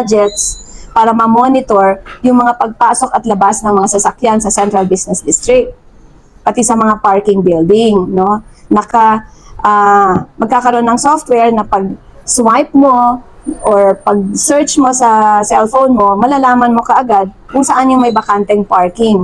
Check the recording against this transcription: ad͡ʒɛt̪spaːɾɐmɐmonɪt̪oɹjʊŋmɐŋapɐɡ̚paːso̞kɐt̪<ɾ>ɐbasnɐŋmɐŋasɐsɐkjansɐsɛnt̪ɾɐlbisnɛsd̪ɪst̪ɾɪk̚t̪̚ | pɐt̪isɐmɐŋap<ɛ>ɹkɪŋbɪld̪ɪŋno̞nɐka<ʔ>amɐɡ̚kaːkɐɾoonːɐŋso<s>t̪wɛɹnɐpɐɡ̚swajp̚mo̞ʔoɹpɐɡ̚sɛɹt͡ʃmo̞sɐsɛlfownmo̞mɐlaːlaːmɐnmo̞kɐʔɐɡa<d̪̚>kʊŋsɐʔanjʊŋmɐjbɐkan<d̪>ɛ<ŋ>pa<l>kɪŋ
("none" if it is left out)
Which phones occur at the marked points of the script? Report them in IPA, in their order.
l, a, ʔ, f, d̪̚, t̪, ŋ, ɹ

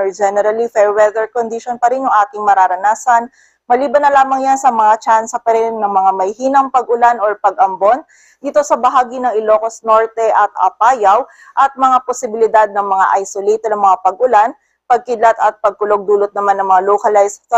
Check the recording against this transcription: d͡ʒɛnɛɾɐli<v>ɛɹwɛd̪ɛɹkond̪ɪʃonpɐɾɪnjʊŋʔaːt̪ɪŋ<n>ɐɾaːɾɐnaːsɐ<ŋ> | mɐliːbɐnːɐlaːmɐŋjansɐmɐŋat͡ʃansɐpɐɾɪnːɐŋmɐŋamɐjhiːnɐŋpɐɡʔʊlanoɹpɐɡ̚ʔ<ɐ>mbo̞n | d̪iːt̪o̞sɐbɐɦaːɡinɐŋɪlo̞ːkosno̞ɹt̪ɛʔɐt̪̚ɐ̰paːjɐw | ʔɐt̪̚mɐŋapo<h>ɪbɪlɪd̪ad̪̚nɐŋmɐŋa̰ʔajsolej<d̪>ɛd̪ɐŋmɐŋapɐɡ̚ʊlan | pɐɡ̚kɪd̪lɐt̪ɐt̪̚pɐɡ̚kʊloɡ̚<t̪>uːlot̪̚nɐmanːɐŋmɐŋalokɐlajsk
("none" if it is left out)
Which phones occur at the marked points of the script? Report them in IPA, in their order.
f, m, n, ɐ, s, t̪, d̪

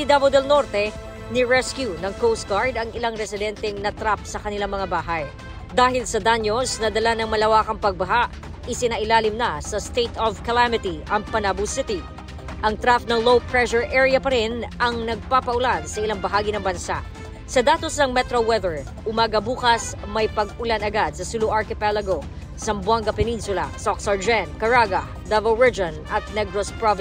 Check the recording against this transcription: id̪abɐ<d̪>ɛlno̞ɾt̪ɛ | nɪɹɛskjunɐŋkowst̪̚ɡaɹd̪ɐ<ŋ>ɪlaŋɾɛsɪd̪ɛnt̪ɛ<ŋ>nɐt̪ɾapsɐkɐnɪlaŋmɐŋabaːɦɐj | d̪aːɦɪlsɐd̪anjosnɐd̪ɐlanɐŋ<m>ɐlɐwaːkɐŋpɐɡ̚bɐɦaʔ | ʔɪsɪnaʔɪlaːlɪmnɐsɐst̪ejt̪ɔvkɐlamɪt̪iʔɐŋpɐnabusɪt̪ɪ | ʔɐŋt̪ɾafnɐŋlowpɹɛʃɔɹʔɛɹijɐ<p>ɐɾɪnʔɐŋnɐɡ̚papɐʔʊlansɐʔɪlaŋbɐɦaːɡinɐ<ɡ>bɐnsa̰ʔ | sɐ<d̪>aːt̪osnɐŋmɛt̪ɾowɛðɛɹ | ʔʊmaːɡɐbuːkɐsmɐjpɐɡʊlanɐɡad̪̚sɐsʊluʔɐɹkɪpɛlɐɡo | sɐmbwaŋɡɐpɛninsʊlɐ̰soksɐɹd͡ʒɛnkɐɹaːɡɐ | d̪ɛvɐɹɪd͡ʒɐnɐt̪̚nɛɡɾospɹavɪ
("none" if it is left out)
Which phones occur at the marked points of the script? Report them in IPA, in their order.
d̪, ŋ, ŋ, m, p, ŋ, d̪

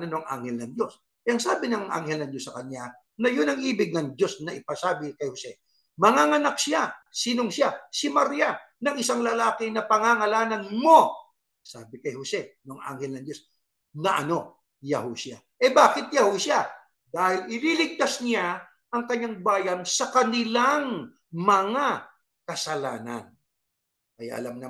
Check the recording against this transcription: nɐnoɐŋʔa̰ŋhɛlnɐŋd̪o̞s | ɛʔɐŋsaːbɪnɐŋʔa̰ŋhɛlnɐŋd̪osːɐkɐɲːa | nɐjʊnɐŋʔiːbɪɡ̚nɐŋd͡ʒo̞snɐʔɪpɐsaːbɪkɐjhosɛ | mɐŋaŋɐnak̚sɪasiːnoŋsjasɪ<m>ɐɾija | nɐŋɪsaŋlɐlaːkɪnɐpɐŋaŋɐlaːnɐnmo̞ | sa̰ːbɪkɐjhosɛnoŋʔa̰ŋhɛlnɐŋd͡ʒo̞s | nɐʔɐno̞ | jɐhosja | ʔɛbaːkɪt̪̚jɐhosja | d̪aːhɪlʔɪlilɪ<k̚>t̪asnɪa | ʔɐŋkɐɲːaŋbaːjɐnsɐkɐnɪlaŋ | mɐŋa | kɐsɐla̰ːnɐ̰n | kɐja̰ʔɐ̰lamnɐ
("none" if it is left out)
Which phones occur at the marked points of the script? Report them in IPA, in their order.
m, ɡ̚

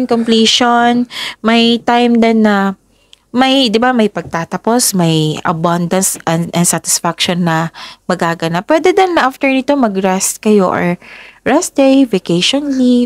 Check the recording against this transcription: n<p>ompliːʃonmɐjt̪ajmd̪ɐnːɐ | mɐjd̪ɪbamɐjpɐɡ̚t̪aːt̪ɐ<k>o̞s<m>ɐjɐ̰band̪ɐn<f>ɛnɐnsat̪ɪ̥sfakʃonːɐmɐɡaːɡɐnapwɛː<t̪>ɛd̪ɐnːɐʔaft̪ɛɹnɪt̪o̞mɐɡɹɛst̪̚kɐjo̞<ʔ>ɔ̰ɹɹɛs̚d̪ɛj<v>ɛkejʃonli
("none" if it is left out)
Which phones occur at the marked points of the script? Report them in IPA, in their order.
k, p, m, s, d̪, ʔ, v

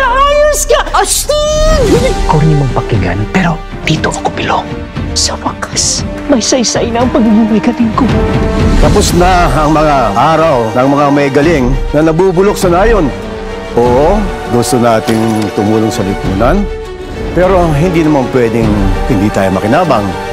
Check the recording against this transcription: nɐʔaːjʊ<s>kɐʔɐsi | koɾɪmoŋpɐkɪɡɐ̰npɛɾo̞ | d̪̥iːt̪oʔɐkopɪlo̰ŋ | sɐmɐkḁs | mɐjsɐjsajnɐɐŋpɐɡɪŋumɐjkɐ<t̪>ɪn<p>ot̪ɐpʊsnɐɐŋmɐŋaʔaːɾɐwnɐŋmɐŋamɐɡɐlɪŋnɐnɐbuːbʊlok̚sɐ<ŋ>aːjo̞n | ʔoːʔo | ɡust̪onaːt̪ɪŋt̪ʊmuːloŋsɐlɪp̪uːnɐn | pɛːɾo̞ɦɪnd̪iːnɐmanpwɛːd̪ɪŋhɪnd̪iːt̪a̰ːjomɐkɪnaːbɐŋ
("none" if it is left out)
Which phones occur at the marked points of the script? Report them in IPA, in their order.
s, t̪, k, n

